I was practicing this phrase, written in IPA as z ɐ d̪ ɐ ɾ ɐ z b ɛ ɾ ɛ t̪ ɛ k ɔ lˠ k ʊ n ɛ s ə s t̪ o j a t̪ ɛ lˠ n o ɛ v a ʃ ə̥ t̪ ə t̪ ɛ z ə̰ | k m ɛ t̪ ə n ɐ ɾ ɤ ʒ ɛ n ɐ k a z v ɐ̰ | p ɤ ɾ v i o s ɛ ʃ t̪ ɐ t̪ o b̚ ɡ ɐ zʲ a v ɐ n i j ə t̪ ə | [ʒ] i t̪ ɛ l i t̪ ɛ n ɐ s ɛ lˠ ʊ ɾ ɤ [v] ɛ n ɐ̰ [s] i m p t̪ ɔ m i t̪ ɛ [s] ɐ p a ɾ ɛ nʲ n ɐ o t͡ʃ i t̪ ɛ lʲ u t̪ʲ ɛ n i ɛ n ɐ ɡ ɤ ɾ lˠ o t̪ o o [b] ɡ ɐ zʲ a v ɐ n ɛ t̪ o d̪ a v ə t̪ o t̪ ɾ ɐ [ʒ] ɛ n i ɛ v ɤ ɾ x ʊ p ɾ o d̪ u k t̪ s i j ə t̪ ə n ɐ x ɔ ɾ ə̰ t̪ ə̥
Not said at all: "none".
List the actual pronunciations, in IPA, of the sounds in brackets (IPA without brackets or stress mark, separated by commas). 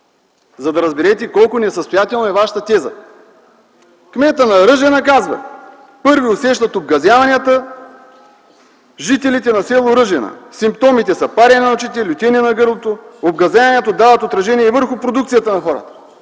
ʒ, ʒ, s, s, b, ʒ